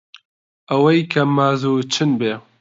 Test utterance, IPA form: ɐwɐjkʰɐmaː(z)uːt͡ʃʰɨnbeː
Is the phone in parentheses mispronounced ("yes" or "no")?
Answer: no